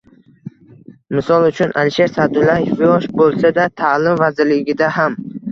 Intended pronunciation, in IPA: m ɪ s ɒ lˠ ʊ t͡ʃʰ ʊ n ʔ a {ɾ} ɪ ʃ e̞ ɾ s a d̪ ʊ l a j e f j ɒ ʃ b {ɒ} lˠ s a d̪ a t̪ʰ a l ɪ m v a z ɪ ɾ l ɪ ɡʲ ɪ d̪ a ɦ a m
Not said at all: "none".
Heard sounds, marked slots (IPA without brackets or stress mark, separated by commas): l, o